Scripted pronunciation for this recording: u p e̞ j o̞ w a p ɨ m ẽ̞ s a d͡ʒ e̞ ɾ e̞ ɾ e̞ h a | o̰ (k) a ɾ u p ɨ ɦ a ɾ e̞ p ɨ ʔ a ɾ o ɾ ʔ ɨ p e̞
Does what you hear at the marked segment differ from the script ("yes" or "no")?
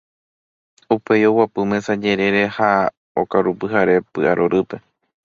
no